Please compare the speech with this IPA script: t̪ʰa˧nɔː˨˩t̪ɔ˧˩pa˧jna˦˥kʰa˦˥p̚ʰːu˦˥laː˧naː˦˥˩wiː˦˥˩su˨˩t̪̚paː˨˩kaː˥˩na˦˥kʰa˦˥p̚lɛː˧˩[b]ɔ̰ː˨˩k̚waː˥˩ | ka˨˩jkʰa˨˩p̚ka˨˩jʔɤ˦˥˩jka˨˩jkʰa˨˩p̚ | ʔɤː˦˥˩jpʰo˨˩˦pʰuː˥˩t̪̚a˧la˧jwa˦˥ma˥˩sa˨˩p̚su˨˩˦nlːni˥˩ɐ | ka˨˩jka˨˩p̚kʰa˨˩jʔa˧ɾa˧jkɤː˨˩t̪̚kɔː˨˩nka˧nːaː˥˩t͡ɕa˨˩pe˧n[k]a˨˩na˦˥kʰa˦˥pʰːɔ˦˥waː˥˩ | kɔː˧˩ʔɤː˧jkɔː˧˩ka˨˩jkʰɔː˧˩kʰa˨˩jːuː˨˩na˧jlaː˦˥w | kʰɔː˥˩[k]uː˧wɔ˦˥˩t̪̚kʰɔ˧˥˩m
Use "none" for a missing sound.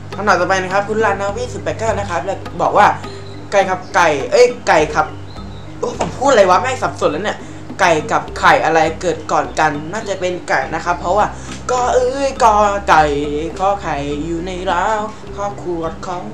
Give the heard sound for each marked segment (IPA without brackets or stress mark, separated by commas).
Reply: b, k, kʰ